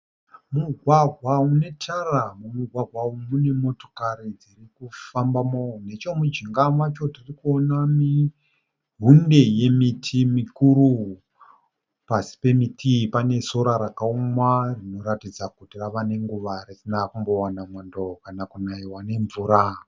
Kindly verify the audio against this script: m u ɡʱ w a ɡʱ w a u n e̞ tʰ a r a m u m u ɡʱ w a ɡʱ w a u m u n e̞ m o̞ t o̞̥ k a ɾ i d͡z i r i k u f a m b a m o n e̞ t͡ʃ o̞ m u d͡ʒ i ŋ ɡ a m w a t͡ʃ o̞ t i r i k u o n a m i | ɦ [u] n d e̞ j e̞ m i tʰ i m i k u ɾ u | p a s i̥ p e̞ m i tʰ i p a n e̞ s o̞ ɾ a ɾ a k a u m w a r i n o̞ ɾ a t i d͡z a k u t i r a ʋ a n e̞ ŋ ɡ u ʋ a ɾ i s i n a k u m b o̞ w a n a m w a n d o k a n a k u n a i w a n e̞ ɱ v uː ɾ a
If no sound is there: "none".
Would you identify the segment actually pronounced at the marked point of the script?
u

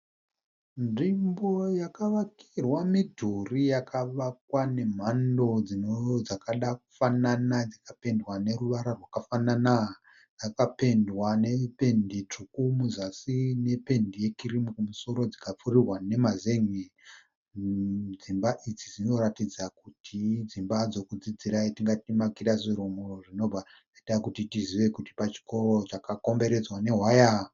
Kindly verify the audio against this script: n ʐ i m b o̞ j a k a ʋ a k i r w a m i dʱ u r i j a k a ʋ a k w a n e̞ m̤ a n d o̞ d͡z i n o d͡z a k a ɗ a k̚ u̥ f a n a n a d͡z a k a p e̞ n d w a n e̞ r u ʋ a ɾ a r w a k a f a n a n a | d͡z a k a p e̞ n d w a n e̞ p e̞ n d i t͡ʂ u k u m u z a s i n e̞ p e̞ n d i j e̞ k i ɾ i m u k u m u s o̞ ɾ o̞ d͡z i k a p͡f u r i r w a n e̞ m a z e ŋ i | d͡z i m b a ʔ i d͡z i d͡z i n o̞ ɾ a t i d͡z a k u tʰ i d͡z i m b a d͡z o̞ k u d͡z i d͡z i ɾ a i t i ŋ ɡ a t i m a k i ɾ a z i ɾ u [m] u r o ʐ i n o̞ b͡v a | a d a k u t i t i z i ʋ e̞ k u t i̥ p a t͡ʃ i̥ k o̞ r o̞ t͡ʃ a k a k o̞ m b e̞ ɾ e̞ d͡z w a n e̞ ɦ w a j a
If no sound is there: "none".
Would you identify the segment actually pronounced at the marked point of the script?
m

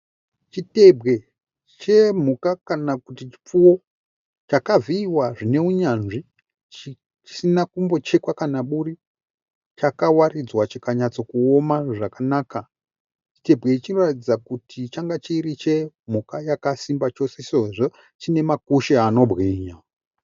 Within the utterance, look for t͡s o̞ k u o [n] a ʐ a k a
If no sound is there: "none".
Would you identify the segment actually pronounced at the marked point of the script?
m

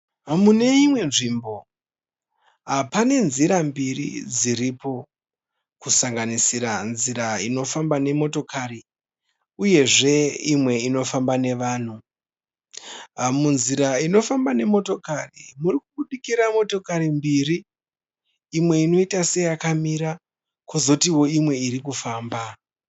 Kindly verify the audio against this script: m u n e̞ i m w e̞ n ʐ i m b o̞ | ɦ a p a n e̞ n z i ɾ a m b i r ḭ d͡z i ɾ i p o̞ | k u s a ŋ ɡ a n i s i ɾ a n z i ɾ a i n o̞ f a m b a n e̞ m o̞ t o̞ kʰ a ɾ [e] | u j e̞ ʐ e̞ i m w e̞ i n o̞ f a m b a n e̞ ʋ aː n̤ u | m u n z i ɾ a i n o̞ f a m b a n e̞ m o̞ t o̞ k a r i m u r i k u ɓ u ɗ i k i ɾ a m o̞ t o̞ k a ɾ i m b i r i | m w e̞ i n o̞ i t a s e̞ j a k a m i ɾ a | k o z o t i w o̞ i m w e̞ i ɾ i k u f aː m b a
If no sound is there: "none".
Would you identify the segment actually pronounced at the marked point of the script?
i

